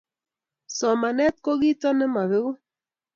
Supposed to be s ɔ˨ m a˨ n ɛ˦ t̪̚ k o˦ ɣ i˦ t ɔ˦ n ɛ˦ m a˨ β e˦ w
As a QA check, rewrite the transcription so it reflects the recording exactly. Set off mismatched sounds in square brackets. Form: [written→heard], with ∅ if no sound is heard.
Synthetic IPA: s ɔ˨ m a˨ n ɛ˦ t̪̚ k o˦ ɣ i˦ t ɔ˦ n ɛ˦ m a˨ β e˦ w